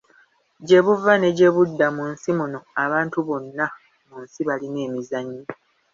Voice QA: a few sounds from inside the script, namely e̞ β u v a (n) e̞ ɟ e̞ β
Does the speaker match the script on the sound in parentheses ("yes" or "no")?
yes